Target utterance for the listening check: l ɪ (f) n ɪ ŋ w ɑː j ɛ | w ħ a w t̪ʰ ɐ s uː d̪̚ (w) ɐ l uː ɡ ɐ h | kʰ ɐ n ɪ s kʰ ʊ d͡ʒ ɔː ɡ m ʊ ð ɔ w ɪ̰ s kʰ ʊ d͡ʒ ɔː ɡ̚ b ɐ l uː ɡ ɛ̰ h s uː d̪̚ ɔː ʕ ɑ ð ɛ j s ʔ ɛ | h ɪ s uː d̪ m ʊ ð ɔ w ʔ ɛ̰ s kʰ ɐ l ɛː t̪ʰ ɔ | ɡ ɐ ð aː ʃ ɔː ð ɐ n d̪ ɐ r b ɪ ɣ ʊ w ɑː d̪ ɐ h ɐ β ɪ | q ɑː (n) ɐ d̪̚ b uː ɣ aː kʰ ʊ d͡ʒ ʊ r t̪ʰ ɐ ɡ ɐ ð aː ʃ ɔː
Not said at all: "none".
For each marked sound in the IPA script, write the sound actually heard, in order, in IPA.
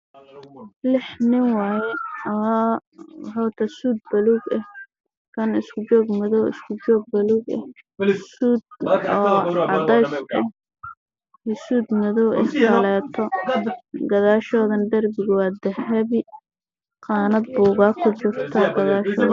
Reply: ħ, b, n

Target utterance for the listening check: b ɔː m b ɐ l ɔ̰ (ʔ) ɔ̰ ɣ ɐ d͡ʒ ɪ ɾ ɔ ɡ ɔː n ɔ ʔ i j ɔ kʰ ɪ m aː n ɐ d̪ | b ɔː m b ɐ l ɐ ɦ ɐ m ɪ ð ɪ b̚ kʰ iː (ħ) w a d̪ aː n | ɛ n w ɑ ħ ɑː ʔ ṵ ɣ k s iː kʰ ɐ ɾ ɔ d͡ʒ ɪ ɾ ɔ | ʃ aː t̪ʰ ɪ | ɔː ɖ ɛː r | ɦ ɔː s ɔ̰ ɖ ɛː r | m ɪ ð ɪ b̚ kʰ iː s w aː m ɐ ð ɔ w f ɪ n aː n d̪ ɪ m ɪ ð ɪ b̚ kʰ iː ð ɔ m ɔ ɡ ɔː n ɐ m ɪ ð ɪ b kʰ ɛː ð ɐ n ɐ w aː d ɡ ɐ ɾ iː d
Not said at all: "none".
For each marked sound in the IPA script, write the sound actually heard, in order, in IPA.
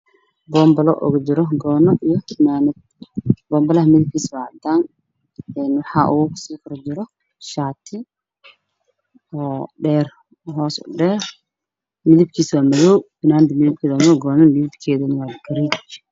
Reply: ʔ, s

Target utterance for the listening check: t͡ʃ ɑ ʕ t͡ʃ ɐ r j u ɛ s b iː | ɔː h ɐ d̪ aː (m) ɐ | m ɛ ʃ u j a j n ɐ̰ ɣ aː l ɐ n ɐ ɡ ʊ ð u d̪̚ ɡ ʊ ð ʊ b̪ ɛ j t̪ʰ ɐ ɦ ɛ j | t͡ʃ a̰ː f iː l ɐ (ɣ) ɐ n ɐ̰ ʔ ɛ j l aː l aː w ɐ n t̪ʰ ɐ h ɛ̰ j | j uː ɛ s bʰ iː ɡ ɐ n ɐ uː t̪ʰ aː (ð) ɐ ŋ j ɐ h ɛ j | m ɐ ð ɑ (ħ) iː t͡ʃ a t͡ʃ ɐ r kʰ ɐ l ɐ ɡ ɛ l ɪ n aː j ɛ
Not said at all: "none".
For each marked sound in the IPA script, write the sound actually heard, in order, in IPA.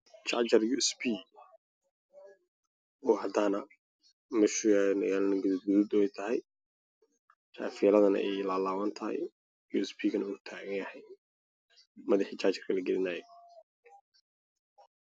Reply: n, ð, ɣ, ħ

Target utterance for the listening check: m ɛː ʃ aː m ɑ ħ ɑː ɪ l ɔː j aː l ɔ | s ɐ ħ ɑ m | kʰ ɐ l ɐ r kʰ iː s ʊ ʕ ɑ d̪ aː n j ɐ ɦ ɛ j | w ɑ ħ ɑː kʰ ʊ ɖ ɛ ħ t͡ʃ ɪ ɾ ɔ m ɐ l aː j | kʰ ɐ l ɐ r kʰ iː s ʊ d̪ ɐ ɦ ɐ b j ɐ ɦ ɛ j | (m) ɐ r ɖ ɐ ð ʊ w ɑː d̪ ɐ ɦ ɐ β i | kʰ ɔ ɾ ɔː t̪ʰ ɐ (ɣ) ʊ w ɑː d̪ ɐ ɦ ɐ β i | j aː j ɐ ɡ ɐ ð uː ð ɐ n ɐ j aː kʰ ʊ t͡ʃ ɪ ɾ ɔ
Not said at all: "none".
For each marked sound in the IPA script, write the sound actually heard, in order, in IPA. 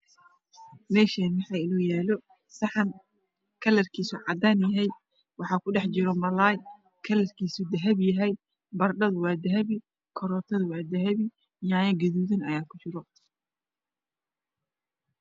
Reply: b, ð

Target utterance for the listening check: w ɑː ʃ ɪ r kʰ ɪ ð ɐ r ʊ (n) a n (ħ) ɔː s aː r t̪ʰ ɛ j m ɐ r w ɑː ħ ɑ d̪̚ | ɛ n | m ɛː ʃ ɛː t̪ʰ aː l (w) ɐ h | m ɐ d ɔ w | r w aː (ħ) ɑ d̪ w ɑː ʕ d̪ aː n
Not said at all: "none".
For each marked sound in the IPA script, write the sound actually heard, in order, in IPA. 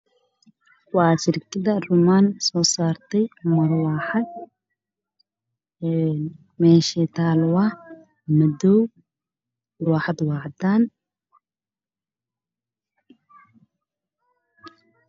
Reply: m, s, w, ħ

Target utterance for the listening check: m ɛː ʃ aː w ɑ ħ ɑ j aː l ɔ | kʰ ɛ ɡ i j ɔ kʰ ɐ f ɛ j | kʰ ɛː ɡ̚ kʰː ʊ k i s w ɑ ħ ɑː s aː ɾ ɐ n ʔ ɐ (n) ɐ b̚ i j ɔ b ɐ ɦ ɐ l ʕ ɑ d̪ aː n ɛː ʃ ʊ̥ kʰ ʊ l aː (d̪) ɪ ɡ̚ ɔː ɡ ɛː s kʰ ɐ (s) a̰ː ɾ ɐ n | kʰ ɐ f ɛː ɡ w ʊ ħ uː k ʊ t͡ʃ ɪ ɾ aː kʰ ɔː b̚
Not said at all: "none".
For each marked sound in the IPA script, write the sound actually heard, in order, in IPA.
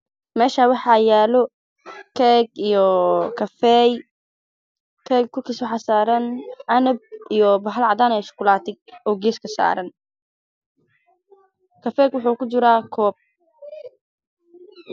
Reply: n, t̪, s

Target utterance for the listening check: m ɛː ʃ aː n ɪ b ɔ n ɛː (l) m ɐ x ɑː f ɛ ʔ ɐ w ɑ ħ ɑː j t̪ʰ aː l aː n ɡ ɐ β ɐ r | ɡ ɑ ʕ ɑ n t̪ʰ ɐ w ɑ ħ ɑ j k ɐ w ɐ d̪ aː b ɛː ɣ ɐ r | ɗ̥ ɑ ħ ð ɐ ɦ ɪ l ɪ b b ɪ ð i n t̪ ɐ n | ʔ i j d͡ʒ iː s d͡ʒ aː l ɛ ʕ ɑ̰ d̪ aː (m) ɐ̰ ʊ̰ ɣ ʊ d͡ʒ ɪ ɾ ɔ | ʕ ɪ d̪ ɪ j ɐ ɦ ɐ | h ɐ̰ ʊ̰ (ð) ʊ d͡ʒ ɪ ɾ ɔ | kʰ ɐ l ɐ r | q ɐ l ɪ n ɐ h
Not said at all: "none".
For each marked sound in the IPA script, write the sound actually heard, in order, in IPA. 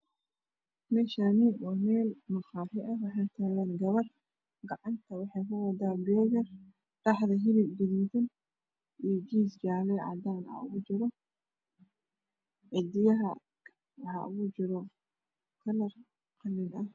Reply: l, n, ɣ

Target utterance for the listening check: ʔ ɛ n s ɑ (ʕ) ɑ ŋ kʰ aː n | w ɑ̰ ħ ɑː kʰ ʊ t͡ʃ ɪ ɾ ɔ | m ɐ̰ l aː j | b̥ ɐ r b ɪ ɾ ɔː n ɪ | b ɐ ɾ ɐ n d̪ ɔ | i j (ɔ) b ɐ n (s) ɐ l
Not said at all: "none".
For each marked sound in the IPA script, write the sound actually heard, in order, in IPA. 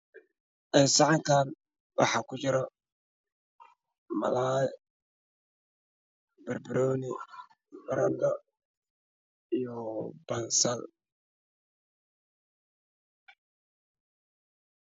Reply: ʕ, ɔ, s

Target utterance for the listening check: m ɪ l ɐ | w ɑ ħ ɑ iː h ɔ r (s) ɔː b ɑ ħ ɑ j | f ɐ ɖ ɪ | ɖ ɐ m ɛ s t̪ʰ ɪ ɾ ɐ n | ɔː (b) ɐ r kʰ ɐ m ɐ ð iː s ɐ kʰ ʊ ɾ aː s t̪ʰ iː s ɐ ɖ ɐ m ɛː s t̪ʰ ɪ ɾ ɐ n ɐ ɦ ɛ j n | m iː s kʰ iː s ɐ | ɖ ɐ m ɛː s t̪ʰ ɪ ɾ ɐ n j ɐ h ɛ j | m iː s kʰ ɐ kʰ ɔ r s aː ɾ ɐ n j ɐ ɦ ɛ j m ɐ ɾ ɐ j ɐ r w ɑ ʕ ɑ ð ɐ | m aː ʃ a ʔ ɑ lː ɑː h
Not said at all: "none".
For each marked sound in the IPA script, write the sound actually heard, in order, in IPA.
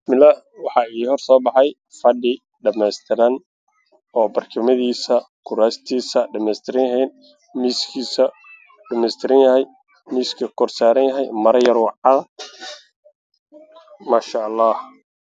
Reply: s, b

